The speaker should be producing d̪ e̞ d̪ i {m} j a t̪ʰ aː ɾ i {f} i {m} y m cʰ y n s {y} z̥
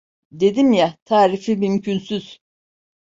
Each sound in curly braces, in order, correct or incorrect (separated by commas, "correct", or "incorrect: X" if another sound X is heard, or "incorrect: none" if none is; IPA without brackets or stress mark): correct, correct, correct, correct